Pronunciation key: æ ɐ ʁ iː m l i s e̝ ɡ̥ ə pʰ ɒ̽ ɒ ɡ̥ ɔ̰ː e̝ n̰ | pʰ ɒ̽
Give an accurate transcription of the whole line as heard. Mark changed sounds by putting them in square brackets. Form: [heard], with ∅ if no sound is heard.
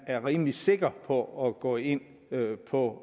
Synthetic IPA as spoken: æ ɐ ʁ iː m l i s e̝ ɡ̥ [ɐ] pʰ ɒ̽ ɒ ɡ̥ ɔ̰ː e̝ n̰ | pʰ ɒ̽